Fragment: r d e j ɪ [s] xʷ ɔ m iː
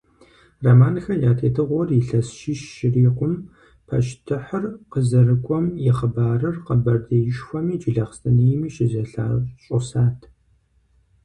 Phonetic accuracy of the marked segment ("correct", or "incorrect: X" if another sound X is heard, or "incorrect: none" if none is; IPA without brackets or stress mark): incorrect: ʃ